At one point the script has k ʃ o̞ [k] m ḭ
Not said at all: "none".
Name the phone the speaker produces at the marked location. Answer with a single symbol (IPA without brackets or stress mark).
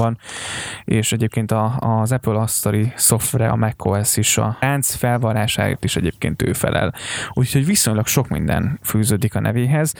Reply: k